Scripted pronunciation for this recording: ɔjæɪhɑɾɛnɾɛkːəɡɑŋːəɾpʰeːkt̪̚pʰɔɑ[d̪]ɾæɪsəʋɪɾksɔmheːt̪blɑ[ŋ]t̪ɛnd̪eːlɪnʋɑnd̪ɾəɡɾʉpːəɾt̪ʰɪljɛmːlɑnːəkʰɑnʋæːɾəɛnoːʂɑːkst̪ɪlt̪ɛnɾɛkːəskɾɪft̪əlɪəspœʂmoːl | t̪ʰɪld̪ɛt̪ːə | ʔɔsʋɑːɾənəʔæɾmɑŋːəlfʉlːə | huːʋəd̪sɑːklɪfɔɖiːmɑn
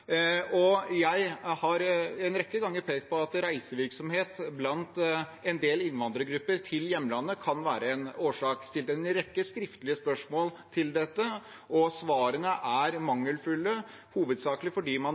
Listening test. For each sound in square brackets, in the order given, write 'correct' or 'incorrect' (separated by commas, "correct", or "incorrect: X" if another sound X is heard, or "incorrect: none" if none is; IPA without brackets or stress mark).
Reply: incorrect: t̪, incorrect: n